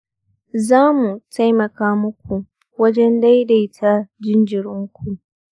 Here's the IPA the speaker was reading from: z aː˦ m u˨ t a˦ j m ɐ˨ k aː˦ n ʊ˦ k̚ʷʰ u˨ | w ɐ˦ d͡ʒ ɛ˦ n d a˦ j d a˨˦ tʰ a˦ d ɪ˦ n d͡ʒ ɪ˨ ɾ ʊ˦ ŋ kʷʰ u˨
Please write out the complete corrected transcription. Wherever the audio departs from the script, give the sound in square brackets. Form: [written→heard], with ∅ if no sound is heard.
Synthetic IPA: z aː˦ m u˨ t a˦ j m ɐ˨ k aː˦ [n→m] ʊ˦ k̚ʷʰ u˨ | w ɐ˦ d͡ʒ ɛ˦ n d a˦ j d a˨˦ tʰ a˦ [d→d͡ʒ] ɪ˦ n d͡ʒ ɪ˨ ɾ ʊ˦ ŋ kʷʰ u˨